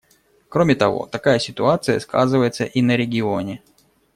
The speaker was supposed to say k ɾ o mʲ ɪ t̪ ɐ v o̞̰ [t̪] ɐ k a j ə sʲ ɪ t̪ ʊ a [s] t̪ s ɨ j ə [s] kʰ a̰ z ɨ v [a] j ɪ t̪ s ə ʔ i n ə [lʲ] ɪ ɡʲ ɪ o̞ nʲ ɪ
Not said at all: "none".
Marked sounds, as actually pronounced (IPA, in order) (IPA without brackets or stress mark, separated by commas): t̪, none, s, ə, ɾʲ